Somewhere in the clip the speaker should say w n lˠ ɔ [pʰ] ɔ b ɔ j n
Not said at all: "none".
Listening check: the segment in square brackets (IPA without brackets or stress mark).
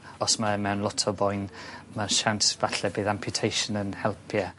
tʰ